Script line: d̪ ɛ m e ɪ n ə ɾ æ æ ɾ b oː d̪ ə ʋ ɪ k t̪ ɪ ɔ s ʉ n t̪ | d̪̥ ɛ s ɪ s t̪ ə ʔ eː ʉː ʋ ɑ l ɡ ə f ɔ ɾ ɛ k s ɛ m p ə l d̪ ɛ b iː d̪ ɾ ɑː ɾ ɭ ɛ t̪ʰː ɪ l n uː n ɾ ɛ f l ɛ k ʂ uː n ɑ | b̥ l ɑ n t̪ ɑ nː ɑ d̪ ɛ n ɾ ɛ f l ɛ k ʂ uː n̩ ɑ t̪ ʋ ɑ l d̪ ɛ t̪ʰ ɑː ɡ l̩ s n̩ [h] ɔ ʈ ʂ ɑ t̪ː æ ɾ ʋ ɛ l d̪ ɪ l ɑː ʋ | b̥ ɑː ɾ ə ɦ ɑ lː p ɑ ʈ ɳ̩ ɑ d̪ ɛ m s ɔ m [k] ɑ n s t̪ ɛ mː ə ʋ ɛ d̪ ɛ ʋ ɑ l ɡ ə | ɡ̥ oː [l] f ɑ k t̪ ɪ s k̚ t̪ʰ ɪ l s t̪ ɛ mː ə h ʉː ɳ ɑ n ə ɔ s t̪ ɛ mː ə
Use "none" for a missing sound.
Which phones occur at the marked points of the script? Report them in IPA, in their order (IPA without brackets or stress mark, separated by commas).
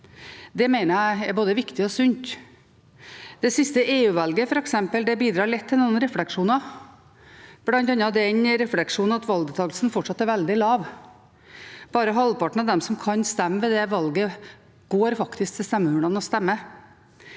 f, kʰ, ɾ